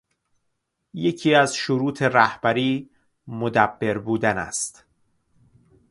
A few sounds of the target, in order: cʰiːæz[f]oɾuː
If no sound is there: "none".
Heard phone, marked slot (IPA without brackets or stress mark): ʃ